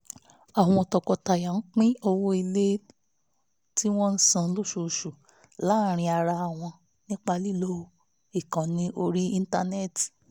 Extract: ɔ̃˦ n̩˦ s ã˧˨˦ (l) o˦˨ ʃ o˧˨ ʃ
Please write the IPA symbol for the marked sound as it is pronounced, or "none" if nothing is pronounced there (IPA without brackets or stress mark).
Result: l